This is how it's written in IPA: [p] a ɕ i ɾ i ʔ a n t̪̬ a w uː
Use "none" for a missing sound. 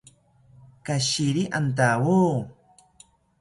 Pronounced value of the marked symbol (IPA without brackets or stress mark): k